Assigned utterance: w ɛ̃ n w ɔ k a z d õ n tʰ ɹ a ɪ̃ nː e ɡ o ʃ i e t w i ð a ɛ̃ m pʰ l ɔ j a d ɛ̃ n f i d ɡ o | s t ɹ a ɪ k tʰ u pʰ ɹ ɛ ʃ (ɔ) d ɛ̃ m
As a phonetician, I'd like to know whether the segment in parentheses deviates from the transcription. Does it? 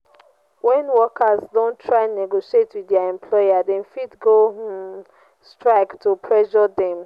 no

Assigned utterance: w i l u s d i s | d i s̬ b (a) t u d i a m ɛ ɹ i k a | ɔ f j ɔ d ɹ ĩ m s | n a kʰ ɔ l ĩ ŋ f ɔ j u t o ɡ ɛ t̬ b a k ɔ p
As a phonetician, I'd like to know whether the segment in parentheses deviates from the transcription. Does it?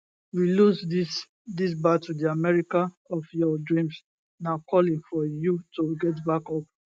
no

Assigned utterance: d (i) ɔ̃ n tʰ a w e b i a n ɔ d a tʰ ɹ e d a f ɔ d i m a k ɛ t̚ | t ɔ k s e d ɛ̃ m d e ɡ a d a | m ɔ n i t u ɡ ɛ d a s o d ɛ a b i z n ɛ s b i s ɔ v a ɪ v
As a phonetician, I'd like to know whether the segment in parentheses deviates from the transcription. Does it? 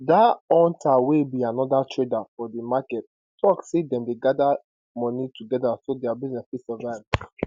yes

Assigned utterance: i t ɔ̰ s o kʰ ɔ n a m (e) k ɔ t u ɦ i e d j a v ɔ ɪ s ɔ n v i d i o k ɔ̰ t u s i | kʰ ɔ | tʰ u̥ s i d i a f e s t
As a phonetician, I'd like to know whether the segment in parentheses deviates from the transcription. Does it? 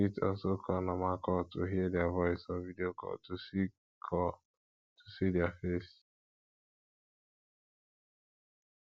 yes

